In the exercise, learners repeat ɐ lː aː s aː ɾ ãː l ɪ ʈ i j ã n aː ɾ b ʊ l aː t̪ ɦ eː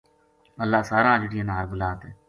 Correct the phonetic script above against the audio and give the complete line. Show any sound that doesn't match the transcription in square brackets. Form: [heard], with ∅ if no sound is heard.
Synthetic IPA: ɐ lː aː s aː ɾ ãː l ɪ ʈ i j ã n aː ɾ b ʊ l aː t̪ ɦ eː